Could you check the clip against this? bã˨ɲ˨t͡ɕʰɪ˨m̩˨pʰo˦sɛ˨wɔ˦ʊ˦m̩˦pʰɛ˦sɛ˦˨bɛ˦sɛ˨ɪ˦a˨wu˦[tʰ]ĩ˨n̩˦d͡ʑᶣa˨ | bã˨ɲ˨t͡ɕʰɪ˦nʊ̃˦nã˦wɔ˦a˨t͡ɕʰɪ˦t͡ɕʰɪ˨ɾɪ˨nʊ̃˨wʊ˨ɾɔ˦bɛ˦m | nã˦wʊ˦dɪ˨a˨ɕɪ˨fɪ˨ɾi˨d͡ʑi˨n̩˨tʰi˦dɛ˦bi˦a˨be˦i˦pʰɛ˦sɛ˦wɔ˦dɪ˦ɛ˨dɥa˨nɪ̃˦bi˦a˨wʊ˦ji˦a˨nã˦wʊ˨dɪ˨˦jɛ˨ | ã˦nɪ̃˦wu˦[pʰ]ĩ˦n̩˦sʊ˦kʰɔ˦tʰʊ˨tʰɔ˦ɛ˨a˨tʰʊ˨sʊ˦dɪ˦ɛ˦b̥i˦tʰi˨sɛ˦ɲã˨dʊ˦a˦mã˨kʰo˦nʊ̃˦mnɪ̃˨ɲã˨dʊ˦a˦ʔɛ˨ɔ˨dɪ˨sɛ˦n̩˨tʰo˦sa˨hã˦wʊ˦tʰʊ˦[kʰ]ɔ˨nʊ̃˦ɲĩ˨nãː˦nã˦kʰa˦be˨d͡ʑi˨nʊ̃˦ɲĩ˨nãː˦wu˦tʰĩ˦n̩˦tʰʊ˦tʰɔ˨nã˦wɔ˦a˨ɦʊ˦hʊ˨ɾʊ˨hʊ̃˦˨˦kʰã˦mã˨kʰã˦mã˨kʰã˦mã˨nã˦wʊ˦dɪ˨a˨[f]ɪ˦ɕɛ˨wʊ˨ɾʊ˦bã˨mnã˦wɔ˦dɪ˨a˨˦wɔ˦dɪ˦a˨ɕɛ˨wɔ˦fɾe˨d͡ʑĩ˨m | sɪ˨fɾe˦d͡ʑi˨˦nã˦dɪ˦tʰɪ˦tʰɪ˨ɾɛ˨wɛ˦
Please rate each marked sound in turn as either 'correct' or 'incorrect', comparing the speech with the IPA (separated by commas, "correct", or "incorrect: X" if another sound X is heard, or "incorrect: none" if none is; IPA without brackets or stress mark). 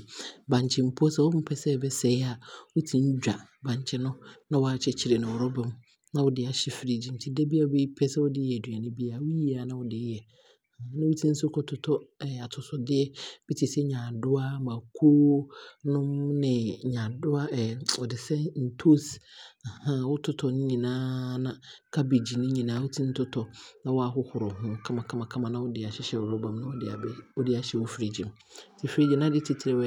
correct, incorrect: tʰ, incorrect: tʰ, incorrect: ɕ